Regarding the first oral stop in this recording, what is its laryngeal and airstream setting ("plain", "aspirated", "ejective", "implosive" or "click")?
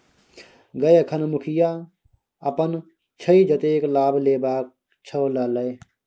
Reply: plain